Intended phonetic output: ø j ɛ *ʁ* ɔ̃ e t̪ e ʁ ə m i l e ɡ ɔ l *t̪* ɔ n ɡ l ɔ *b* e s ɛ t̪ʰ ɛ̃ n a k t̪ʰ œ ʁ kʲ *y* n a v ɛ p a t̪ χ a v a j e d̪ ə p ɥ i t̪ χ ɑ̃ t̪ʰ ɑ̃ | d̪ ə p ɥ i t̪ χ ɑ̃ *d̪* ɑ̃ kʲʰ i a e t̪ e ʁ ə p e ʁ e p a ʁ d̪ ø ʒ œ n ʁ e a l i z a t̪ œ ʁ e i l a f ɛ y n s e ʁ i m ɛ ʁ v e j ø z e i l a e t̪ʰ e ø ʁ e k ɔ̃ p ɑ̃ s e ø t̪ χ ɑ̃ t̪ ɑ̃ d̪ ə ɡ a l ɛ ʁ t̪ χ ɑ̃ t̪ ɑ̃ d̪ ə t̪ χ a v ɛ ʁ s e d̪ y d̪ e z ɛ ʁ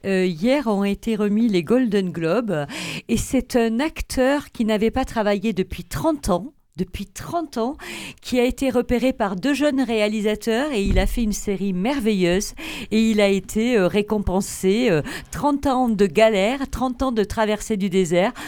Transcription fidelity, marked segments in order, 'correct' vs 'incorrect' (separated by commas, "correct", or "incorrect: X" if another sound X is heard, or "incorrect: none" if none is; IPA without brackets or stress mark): correct, incorrect: d̪, correct, incorrect: i, incorrect: t̪